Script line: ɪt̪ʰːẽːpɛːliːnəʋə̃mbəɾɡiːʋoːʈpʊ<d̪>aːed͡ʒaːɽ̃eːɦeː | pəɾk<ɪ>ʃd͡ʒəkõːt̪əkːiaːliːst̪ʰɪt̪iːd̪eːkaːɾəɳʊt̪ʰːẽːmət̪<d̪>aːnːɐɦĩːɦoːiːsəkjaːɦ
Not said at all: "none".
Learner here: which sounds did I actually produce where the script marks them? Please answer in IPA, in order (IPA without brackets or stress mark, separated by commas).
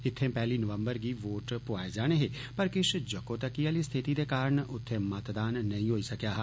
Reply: none, ɪ, d̪